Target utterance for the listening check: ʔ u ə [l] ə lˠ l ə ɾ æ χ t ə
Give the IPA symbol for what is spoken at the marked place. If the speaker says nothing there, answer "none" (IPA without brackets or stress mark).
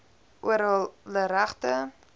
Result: ɾ